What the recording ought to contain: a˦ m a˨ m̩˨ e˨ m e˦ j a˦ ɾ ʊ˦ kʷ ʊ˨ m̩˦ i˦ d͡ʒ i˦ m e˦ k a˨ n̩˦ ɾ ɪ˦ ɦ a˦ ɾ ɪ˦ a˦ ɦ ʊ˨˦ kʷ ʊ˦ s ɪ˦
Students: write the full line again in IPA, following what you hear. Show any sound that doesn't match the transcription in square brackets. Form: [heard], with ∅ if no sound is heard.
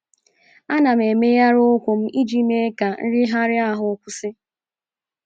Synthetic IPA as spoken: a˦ [n] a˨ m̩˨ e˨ m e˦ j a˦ ɾ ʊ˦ kʷ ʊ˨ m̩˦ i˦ d͡ʒ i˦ m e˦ k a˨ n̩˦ ɾ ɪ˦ ɦ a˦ ɾ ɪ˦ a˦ ɦ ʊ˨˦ kʷ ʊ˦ s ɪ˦